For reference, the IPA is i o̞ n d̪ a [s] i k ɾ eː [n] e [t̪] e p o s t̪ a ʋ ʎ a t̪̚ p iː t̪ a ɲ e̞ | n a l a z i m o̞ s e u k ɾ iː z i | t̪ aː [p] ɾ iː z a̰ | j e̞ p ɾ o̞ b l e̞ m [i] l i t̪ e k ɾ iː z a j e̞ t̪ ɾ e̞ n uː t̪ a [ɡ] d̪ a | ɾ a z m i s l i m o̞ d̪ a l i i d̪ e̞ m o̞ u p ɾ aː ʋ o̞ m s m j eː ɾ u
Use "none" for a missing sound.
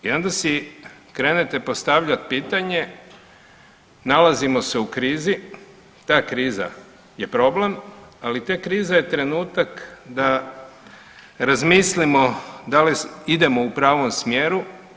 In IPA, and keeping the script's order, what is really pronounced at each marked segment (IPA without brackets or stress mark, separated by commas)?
s, n, t̪, k, a, k